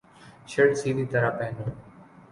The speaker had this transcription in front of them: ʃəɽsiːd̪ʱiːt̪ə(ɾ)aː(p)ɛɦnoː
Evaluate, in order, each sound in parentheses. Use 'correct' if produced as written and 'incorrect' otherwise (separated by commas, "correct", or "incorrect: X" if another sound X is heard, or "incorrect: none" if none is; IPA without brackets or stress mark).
correct, correct